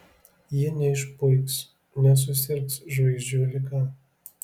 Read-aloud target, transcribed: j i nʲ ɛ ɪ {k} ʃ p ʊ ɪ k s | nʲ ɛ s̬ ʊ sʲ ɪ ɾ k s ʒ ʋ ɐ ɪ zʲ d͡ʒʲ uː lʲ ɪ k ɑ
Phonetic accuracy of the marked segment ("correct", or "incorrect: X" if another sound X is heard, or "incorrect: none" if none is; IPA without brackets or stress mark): incorrect: none